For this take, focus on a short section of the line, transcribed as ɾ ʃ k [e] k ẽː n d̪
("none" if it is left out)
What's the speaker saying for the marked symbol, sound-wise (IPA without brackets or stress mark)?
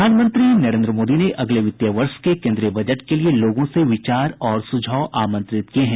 e